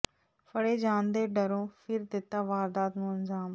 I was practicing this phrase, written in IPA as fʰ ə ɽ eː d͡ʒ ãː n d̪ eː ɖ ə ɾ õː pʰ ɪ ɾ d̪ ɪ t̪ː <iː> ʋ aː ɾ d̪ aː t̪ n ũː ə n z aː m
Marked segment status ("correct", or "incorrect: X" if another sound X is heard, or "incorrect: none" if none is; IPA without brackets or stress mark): incorrect: aː